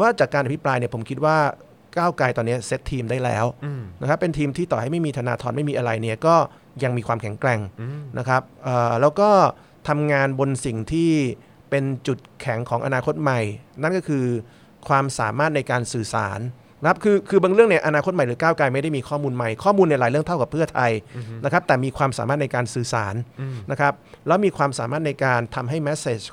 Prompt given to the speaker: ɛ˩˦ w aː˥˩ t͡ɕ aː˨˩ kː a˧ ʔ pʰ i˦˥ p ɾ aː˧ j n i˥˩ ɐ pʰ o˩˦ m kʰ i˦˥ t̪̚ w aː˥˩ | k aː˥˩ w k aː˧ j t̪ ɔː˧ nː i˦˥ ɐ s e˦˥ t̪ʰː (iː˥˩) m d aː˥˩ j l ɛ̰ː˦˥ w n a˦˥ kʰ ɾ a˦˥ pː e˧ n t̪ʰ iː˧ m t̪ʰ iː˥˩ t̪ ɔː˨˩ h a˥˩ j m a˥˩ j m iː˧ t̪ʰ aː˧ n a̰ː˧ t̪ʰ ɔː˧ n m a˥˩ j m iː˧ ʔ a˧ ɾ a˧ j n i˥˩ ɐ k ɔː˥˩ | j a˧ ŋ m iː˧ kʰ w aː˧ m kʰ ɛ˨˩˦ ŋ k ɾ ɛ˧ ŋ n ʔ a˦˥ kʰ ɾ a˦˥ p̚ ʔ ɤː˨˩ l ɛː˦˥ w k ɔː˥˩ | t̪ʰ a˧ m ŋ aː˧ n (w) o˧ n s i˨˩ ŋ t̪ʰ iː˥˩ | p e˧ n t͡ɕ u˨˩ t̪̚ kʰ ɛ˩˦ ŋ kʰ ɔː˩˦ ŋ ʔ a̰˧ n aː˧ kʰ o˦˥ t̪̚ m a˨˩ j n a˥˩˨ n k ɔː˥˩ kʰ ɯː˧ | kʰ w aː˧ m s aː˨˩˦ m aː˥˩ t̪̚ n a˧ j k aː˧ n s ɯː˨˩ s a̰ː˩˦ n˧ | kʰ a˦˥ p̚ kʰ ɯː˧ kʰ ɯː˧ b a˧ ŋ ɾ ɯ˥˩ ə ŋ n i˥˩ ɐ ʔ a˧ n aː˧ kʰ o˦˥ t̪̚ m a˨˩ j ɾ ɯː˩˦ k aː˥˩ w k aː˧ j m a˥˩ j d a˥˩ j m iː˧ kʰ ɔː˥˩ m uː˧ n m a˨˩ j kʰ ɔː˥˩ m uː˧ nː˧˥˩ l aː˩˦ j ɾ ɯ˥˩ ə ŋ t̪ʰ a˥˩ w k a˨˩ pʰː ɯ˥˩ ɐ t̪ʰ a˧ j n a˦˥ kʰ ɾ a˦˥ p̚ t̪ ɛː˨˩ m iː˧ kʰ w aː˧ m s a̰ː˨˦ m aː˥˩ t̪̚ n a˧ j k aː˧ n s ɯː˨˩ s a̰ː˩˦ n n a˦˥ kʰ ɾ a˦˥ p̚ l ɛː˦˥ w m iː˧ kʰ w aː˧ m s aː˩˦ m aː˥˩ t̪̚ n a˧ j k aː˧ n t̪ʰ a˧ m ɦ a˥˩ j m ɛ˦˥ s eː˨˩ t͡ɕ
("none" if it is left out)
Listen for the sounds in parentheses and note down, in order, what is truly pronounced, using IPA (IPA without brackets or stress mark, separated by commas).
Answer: iː˧, b